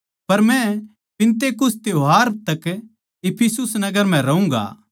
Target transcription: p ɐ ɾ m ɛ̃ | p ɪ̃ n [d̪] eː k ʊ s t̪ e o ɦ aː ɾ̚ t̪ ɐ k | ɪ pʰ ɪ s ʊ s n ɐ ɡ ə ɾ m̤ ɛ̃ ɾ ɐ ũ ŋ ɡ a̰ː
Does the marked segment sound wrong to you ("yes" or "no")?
yes